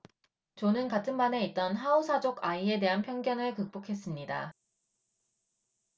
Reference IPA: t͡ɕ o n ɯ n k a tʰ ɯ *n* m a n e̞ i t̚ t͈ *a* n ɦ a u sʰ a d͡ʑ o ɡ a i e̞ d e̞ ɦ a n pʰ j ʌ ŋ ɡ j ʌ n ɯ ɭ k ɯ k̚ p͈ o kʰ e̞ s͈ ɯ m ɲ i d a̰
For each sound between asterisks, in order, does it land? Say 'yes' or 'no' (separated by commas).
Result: yes, no